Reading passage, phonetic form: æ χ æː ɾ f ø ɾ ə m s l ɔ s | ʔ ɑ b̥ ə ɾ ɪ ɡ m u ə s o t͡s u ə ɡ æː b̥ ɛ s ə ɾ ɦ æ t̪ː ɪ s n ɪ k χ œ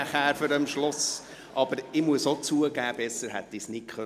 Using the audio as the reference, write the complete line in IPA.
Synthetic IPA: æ χ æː ɾ f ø ɾ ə m ʃ l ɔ s | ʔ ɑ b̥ ə ɾ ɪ m u ə s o t͡s u ə ɡ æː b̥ ɛ s ə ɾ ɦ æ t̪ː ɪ s n ɪ k χ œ